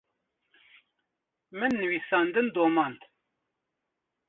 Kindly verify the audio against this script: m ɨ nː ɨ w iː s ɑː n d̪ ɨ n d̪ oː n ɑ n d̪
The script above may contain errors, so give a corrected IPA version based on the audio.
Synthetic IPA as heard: m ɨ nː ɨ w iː s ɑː n d̪ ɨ n d̪ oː m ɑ n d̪

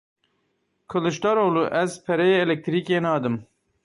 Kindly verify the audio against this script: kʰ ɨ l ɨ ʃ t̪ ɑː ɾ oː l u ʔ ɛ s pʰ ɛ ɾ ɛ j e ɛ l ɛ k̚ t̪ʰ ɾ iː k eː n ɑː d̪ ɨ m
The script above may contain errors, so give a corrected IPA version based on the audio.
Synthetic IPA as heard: kʰ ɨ l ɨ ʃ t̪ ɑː ɾ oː l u ʔ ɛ z pʰ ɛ ɾ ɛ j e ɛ l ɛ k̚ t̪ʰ ɾ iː k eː n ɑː d̪ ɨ m

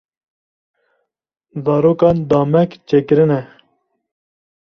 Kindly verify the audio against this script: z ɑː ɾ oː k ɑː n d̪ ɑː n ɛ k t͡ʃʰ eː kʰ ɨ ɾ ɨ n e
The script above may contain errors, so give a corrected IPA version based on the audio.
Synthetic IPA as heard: z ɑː ɾ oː k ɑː n d̪ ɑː m ɛ k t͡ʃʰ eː k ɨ ɾ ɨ n ɛ

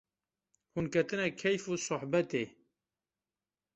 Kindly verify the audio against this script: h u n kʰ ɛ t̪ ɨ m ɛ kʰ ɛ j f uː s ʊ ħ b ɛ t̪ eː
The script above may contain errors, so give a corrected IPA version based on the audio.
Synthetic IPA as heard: h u n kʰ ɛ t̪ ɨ n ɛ kʰ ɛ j f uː s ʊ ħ b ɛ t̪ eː

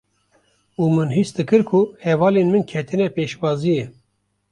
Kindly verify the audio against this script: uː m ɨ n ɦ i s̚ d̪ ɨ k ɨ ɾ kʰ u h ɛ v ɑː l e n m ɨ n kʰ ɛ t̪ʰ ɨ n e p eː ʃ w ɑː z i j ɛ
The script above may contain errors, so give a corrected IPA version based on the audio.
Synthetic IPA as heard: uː m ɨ n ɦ i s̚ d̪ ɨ k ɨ ɾ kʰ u h ɛ v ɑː l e n m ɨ n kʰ ɛ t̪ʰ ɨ n ɛ p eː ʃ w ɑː z i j ɛ

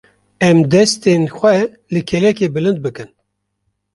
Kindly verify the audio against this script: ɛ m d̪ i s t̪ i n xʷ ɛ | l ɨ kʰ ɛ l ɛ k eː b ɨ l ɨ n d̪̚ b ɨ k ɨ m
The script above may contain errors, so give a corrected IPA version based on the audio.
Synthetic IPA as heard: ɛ m d̪ ɛ s t̪ e n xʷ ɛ | l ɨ kʰ ɛ l ɛ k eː b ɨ l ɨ n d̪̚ b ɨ k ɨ n

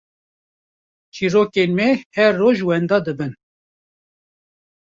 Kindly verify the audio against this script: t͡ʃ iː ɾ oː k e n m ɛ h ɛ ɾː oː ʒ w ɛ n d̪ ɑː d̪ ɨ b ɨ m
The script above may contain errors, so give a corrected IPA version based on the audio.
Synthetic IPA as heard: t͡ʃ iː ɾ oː k e n m ɛ h ɛ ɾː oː ʒ w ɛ n d̪ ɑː d̪ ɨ b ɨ n

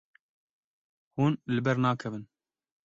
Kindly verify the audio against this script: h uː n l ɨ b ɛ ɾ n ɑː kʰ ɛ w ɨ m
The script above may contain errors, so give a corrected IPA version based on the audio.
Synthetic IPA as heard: h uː n l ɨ b ɛ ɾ n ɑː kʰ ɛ v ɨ n

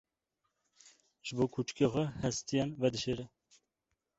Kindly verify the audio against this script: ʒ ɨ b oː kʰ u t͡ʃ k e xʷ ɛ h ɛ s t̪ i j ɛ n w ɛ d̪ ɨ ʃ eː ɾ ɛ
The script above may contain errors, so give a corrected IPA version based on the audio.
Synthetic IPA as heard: ʒ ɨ b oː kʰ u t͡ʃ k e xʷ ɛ h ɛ s t̪ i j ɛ n v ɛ d̪ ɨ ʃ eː ɾ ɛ

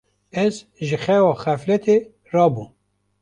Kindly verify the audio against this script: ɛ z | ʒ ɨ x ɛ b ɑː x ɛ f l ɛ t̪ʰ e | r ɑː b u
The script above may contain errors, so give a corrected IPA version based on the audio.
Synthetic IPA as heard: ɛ z | ʒ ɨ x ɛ w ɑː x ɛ f l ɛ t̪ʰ e | r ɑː b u

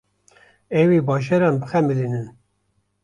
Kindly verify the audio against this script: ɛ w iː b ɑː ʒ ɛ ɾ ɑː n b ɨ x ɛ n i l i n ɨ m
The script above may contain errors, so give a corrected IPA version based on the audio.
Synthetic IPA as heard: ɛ w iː b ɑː ʒ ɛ ɾ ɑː n b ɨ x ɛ m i l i n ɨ n

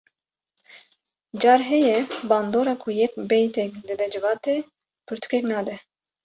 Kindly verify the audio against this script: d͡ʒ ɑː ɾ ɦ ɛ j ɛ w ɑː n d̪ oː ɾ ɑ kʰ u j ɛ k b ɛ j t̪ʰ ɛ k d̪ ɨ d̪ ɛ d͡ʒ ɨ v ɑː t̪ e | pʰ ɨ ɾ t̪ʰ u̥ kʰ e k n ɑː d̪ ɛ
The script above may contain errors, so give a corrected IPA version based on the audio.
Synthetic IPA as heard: d͡ʒ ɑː ɾ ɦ ɛ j ɛ b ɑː n d̪ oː ɾ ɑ kʰ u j ɛ k b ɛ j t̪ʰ ɛ k d̪ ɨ d̪ ɛ d͡ʒ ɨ v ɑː t̪ e | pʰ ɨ ɾ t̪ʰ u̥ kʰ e k n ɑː d̪ ɛ

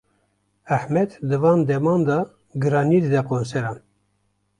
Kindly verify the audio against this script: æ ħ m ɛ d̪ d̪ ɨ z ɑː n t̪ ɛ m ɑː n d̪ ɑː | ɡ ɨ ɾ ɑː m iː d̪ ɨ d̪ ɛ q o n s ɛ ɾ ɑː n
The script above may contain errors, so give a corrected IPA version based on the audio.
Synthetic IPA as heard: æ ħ m ɛ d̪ d̪ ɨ v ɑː n d̪ ɛ m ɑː n d̪ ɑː | ɡ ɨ ɾ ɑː n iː d̪ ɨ d̪ ɛ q o n s ɛ ɾ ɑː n

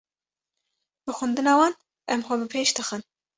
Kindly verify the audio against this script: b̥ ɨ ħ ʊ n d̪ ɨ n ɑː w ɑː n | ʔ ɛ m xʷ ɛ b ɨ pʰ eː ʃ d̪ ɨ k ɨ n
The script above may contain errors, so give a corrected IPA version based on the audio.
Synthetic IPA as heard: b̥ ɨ x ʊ n d̪ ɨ n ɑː w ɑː n | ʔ ɛ m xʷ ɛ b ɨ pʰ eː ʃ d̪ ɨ x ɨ n

